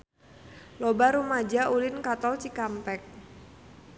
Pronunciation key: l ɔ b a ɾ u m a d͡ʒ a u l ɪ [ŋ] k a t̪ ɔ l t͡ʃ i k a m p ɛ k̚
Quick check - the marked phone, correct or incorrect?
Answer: incorrect